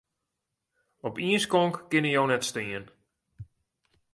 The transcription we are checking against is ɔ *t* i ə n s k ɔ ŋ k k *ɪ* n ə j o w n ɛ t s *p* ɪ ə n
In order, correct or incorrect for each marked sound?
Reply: incorrect: p, correct, incorrect: t

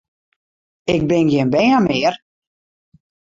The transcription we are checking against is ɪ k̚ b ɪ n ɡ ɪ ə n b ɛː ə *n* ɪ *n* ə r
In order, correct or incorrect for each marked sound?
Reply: incorrect: m, incorrect: none

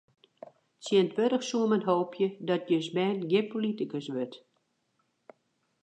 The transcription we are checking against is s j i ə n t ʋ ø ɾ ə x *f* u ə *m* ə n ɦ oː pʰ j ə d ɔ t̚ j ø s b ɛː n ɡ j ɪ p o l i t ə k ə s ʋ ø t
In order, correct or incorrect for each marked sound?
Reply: incorrect: s, correct

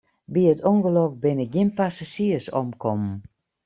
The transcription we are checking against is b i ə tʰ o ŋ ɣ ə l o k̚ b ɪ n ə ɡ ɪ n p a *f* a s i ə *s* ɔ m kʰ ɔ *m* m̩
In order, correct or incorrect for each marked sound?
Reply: incorrect: s, correct, correct

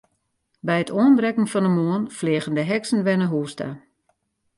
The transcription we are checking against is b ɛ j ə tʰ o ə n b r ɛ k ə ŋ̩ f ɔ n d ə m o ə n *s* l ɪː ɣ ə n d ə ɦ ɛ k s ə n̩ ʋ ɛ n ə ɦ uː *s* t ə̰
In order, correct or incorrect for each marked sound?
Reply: incorrect: f, correct

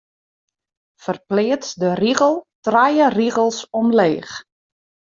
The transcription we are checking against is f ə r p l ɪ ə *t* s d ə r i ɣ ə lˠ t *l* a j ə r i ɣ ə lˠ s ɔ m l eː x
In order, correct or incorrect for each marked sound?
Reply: correct, incorrect: r

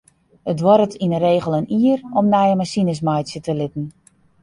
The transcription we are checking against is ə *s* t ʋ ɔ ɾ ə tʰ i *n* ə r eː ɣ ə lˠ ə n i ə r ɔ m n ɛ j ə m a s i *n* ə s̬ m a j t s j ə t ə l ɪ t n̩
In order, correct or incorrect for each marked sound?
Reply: incorrect: none, correct, correct

